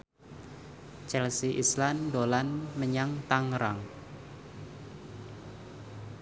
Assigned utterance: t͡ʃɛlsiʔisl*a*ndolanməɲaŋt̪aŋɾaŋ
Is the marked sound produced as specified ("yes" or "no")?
yes